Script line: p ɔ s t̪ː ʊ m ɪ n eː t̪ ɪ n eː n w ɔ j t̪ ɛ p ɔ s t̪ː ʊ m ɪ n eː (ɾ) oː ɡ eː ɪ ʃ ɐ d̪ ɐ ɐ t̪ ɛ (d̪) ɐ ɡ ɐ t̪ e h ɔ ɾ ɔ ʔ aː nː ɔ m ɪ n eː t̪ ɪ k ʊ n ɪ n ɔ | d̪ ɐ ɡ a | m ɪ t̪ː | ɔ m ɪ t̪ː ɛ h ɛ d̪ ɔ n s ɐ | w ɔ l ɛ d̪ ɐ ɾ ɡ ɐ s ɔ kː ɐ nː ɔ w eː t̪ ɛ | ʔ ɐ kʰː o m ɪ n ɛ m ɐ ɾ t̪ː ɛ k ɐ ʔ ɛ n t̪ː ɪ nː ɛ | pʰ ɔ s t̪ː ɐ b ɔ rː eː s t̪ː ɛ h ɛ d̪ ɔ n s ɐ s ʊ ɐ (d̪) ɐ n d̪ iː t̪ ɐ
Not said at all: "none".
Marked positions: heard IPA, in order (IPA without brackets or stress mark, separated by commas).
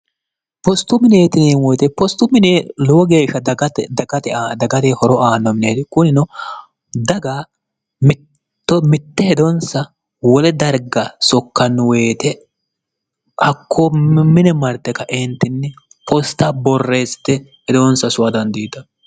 l, d̪, d̪